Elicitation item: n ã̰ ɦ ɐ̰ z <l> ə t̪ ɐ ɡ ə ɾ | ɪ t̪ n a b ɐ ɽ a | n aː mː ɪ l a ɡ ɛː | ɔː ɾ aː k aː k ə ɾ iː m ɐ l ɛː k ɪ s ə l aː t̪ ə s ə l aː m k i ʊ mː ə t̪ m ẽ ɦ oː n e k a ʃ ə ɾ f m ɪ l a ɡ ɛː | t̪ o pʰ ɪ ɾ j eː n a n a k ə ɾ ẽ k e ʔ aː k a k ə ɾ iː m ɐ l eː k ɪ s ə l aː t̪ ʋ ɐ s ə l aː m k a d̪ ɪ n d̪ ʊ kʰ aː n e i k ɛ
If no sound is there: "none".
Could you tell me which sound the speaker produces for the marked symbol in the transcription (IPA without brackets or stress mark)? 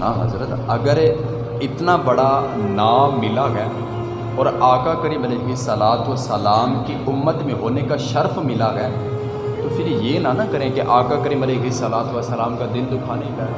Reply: ɾ